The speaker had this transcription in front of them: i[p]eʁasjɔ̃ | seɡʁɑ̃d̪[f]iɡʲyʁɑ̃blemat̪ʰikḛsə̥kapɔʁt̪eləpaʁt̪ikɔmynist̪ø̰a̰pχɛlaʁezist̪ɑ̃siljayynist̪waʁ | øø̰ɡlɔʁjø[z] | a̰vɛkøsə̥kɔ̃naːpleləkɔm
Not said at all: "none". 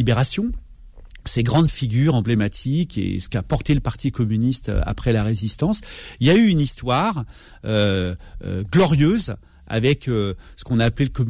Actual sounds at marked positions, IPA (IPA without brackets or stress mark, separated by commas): b, f, z